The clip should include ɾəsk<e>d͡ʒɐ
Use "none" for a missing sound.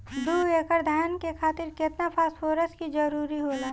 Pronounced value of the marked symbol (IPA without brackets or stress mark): i